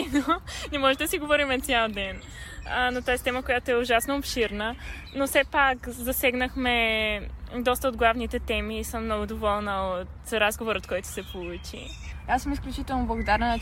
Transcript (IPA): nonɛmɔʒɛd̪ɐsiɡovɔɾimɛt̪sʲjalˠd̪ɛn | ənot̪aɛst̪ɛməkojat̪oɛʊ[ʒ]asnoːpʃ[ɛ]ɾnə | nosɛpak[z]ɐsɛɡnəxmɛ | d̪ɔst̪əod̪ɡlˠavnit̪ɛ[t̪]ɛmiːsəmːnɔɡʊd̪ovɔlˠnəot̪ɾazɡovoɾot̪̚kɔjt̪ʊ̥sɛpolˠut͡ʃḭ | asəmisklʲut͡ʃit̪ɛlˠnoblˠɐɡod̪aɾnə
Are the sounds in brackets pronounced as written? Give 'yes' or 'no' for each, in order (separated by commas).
yes, no, yes, yes